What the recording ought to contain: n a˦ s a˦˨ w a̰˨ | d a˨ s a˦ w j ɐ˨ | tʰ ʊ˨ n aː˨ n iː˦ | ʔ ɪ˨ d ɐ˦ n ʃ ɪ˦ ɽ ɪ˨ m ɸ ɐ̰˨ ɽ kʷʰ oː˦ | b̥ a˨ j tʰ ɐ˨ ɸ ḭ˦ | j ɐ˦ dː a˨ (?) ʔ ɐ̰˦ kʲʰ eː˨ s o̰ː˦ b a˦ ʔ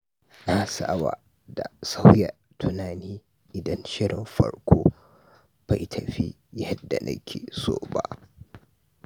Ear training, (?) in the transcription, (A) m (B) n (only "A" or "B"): B